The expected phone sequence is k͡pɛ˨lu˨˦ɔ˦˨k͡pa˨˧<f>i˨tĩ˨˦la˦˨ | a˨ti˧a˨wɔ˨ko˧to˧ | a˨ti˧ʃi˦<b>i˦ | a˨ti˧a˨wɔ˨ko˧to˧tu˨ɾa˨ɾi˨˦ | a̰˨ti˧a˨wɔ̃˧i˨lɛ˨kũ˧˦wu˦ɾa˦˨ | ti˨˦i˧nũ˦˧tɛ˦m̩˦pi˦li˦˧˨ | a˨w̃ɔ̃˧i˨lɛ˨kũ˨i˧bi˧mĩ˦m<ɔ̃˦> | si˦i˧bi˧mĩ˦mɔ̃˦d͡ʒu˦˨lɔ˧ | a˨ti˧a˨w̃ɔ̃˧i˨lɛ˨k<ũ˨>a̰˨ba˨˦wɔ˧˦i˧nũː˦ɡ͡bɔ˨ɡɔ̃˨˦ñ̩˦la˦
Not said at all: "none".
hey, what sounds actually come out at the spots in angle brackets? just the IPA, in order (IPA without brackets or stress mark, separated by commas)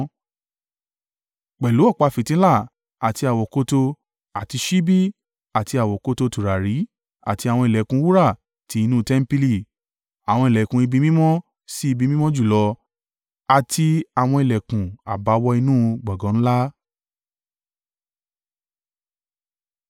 f, b, ɔ̃˦, ũ˨